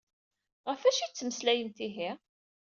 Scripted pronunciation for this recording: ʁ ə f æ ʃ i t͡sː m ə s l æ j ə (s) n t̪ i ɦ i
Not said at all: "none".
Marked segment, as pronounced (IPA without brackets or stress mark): none